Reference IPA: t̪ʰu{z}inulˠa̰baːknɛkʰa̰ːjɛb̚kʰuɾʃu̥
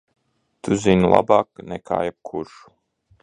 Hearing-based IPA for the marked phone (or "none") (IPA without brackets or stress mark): z